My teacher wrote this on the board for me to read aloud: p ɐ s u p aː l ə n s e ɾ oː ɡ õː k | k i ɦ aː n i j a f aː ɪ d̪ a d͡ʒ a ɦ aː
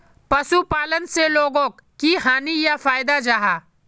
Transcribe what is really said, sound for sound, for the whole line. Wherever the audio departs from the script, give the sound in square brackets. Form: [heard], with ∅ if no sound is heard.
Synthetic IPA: p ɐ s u p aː l ə n s e [l] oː ɡ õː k | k i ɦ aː n i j a f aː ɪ d̪ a d͡ʒ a ɦ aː